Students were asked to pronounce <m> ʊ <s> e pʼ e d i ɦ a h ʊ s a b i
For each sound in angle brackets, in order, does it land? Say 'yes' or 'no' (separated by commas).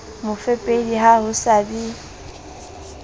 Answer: yes, no